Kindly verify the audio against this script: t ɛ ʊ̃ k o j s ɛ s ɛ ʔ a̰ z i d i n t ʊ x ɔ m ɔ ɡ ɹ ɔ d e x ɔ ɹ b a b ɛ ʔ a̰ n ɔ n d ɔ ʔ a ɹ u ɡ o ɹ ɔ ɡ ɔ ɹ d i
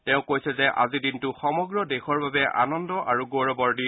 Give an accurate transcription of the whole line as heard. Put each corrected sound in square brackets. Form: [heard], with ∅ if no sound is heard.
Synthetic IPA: t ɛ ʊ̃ k o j s ɛ [z] ɛ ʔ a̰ z i d i n t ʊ x ɔ m ɔ ɡ ɹ ɔ d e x ɔ ɹ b a b ɛ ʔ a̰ n ɔ n d ɔ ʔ a ɹ u ɡ o ɹ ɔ [b] ɔ ɹ d i